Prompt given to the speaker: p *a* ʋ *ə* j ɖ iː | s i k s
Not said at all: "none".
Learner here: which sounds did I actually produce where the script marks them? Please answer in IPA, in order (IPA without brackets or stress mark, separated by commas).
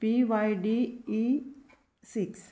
i, a